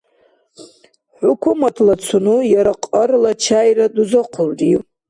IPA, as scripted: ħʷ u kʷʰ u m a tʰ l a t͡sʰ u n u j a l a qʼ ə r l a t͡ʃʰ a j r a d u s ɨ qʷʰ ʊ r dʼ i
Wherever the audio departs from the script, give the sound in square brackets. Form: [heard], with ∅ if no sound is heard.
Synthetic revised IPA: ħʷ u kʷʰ u m a tʰ l a t͡sʰ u n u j a [ɾ] a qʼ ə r l a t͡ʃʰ a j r a d u [z] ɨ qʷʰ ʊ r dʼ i